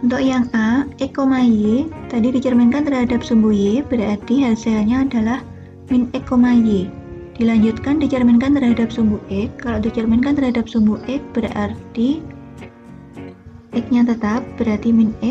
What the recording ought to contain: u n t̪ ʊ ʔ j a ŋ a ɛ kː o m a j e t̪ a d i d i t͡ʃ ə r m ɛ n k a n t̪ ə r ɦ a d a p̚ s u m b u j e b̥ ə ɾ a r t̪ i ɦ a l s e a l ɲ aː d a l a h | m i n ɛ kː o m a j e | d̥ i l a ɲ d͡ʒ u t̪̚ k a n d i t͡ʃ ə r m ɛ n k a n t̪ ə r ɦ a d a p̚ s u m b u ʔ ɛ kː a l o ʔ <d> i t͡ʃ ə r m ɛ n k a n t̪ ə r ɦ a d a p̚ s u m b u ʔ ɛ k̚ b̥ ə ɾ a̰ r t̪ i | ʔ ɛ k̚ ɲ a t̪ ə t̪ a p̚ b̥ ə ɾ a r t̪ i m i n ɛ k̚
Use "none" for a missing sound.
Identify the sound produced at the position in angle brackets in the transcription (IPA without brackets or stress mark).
d